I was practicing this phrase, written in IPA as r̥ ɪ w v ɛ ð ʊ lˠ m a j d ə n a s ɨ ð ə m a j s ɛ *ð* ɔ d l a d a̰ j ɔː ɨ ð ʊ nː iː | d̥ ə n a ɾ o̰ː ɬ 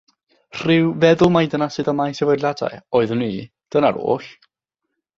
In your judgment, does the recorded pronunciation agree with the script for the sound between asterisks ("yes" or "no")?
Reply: no